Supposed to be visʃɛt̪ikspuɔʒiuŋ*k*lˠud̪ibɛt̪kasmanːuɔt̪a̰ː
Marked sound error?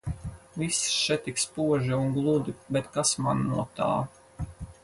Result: yes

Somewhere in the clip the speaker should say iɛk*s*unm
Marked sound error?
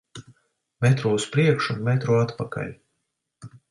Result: yes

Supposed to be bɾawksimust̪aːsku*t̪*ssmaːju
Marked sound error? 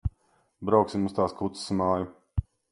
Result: no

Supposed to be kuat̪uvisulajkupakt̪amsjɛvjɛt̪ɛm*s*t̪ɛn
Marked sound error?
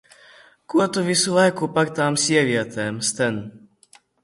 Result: no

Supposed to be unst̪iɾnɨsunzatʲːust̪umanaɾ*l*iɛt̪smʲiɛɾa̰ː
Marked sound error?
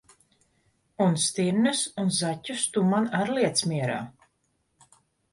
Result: no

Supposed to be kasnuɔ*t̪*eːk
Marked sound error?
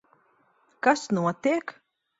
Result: no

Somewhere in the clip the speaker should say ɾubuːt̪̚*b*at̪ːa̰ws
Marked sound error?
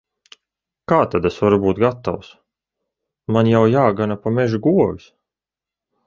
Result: yes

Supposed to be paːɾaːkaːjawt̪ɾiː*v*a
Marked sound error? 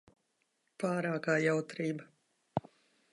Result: yes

